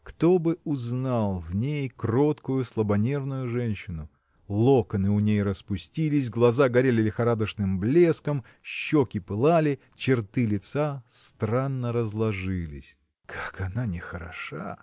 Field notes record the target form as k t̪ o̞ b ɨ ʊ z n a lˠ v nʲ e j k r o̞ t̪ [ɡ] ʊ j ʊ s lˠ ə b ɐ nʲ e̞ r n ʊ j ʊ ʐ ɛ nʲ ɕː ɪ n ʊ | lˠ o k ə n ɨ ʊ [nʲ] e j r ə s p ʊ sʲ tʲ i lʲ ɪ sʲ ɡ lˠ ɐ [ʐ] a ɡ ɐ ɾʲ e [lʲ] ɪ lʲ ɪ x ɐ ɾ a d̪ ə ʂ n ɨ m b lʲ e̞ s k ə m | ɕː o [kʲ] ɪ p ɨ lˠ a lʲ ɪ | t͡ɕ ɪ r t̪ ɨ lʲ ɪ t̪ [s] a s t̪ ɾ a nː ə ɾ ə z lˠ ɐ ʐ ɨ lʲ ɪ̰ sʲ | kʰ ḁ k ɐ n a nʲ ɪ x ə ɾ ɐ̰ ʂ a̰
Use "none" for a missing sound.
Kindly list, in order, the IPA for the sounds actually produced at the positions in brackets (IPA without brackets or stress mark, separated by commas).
k, nʲ, z, lʲ, kʲ, s